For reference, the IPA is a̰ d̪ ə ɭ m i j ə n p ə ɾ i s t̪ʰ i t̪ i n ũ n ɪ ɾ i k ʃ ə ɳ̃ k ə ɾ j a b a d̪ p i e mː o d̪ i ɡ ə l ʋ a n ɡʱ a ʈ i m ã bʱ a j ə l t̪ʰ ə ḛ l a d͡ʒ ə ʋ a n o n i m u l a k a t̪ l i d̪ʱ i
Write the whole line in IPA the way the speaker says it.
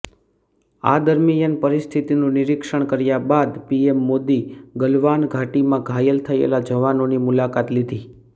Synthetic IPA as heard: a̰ d̪ ə ɾ m i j ə n p ə ɾ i s t̪ʰ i t̪ i n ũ n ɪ ɾ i k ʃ ə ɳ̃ k ə ɾ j a b a d̪ p i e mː o d̪ i ɡ ə l ʋ a n ɡʱ a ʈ i m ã ɡʱ a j ə l t̪ʰ ə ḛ l a d͡ʒ ə ʋ a n o n i m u l a k a t̪ l i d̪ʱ i